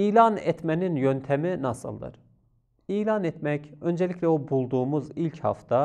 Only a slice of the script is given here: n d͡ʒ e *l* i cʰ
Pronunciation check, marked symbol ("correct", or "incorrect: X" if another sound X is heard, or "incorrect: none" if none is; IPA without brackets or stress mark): correct